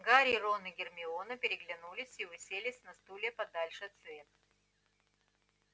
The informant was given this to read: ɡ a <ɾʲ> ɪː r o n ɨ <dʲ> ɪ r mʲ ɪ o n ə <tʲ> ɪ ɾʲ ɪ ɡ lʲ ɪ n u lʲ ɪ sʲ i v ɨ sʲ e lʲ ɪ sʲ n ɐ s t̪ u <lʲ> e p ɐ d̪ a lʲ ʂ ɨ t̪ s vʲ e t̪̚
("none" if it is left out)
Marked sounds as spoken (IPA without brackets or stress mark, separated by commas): ɾʲ, ɡʲ, pʲ, lʲ